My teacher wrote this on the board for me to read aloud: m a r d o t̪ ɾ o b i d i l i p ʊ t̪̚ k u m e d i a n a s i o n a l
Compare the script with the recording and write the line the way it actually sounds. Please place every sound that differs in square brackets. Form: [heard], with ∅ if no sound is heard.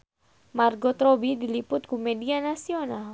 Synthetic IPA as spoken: m a r [ɡ] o t̪ ɾ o b i d i l i p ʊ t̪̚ k u m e d i a n a s i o n a l